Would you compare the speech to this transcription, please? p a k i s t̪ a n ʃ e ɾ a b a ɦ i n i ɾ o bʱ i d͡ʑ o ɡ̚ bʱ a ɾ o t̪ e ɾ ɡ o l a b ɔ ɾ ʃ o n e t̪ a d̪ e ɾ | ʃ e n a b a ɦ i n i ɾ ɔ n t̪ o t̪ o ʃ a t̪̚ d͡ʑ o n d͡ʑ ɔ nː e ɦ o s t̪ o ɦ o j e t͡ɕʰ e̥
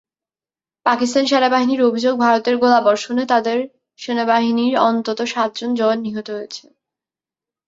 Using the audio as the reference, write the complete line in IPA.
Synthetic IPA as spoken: p a k i s t̪ a n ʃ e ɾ a b a ɦ i n i ɾ o bʱ i d͡ʑ o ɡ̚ bʱ a ɾ o t̪ e ɾ ɡ o l a b ɔ ɾ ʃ o n e t̪ a d̪ e ɾ | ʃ e n a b a ɦ i n i ɾ ɔ n t̪ o t̪ o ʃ a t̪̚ d͡ʑ o n d͡ʑ ɔ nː i ɦ o t̪ o ɦ o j e t͡ɕʰ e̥